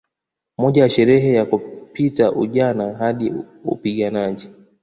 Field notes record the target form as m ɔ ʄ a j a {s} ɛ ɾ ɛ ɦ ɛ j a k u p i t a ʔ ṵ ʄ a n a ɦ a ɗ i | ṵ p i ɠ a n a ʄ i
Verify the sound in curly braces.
incorrect: ʃ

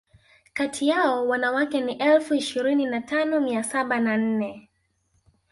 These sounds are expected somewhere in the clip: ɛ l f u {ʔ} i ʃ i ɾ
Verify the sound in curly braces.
incorrect: none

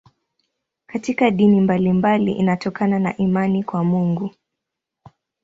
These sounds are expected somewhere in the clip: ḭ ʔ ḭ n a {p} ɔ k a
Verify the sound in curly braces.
incorrect: t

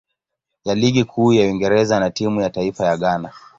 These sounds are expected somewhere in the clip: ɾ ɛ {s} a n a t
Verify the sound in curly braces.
incorrect: z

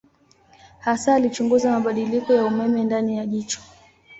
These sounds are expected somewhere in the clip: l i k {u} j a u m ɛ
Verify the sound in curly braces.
incorrect: ɔ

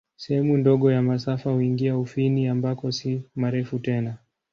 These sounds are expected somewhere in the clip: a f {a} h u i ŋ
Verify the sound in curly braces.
correct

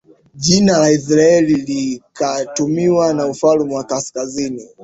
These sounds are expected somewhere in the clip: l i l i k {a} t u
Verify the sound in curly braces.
correct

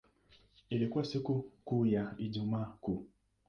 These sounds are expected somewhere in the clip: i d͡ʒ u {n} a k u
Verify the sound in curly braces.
incorrect: m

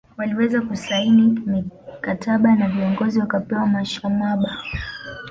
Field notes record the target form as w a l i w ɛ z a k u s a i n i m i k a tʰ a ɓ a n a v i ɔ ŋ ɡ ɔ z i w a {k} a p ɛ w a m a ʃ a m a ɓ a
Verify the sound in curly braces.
correct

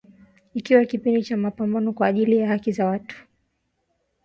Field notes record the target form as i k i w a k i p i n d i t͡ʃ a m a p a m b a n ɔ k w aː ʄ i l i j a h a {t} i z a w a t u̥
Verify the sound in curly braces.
incorrect: k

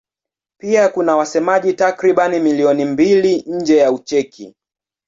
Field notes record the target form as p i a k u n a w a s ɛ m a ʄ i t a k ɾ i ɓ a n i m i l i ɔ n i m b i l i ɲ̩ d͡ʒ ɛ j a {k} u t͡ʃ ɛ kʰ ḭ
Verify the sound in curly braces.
incorrect: none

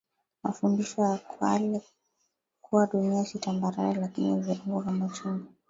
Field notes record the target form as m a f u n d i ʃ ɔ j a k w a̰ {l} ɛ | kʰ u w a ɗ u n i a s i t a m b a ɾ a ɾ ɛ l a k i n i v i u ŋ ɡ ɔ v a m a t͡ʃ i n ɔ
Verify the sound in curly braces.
correct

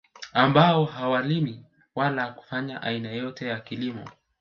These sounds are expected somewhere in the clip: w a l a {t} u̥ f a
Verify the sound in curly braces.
incorrect: k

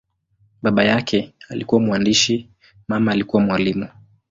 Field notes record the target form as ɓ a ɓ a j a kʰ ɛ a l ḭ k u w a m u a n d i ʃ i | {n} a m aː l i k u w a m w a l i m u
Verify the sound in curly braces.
incorrect: m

